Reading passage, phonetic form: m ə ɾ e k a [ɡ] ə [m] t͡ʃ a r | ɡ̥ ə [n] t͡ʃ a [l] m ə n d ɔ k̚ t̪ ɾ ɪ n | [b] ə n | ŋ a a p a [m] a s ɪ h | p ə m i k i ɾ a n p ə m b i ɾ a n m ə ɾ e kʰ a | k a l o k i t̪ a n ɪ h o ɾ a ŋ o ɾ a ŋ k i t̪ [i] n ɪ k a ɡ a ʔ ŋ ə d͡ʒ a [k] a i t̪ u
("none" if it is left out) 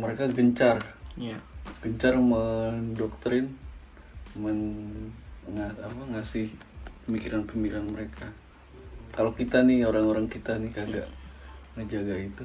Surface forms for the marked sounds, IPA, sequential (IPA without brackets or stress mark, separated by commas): ɡ, ɲ, ɲ, r, m, ŋ, a, ɡ